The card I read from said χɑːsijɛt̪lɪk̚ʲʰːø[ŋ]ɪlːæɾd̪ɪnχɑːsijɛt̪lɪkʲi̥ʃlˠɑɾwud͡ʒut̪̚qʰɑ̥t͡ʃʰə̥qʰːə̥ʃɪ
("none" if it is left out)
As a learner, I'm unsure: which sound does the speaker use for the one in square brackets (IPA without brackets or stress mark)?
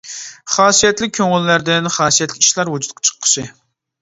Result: ŋ